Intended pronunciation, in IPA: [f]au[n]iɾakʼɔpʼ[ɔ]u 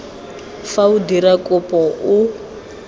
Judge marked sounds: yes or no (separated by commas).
yes, no, yes